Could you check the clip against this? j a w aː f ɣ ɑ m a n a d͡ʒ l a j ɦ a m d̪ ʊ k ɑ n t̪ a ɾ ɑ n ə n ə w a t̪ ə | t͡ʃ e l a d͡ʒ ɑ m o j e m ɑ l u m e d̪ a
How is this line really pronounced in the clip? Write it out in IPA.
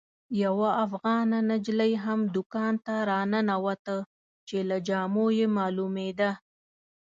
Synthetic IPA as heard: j a w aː f ɣ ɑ n a n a d͡ʒ l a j ɦ a m d̪ ʊ k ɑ n t̪ a ɾ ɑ n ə n a w a t̪ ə | t͡ʃ e l a d͡ʒ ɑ m o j e m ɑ l u m e d̪ a